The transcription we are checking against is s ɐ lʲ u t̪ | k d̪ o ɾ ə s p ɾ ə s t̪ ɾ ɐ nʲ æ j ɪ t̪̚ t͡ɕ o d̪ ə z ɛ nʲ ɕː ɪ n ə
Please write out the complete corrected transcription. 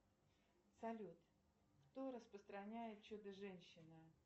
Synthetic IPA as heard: s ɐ lʲ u t̪ | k t̪ o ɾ ə s p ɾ ə s t̪ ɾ ɐ nʲ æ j ɪ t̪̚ t͡ɕ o d̪ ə ʐ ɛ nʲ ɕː ɪ n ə